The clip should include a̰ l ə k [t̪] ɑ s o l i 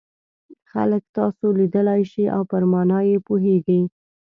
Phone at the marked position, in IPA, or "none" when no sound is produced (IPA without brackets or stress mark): t̪